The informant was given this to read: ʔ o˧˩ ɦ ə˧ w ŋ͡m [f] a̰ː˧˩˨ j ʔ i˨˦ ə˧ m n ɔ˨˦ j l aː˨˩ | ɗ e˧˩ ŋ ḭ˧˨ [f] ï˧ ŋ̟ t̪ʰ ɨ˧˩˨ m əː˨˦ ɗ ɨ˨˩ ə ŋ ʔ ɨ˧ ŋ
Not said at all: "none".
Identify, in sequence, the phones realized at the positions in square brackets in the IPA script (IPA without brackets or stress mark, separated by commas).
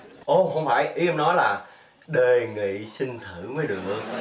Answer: f, s